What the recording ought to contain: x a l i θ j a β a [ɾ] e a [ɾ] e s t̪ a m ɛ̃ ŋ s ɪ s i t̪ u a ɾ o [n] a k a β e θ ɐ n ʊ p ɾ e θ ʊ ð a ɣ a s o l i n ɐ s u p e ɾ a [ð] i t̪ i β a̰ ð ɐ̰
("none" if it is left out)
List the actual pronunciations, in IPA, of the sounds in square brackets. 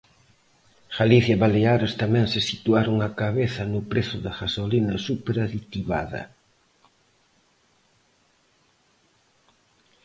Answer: l, ɾ, ŋ, ð

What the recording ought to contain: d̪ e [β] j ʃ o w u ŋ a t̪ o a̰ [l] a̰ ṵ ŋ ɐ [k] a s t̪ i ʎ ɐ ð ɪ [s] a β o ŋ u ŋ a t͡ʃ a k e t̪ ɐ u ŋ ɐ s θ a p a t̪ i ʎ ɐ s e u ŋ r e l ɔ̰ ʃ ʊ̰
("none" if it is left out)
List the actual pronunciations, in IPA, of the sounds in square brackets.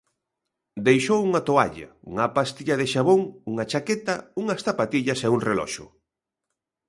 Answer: none, ʎ, p, ʃ

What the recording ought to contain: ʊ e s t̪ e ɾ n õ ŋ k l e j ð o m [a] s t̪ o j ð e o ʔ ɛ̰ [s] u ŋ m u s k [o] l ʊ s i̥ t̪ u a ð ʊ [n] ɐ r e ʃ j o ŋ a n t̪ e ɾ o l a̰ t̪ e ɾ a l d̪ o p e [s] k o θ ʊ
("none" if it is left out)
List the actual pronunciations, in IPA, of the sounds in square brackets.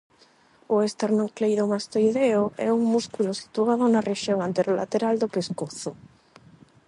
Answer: a, none, u, n, s

